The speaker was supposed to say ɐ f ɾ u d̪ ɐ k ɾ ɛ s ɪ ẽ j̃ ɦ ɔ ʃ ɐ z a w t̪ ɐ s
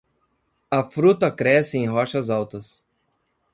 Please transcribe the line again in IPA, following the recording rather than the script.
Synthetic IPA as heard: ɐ f ɾ u t̪ ɐ k ɾ ɛ s ɪ ẽ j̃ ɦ ɔ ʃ ɐ z a w t̪ ɐ s